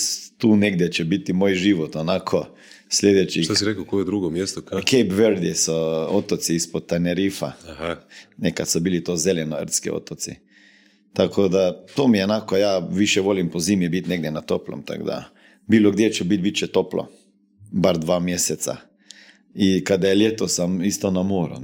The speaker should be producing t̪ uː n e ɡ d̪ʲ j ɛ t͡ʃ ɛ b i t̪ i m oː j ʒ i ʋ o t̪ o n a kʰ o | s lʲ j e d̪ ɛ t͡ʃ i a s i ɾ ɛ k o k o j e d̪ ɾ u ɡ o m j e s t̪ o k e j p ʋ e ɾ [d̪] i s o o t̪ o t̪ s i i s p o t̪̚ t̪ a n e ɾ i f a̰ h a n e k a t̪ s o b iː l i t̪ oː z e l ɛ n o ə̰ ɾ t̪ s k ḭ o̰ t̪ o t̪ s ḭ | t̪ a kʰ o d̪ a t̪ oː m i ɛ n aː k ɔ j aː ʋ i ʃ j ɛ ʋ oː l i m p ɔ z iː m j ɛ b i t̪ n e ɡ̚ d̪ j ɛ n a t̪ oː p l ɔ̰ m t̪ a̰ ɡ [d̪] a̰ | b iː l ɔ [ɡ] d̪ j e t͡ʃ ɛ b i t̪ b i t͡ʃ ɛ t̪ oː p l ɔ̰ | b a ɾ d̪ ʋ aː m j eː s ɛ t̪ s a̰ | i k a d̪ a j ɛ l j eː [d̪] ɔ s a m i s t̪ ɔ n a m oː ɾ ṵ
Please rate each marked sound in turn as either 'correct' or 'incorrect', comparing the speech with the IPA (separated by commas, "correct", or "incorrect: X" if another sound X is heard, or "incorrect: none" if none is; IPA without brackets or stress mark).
correct, correct, correct, incorrect: t̪